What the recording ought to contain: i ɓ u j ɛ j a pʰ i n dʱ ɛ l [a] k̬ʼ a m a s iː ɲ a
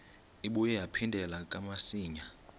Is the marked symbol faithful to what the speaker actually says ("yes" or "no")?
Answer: yes